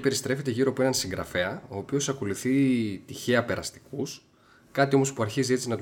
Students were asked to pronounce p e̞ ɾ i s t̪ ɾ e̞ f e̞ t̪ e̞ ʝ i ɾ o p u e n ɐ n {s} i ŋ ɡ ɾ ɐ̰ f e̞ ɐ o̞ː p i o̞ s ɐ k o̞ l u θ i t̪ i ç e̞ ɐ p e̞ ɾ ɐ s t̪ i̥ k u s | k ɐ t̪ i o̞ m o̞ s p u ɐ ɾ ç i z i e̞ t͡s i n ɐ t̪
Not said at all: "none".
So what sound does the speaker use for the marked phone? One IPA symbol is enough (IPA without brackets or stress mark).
s